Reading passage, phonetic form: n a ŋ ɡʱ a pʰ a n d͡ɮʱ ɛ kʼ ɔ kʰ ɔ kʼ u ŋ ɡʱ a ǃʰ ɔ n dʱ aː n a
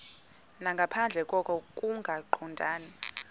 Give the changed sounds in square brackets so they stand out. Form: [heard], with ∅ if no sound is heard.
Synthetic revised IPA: n a ŋ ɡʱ a pʰ a n d͡ɮʱ ɛ kʼ ɔ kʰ ɔ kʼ u ŋ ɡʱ a ǃʰ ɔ n dʱ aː n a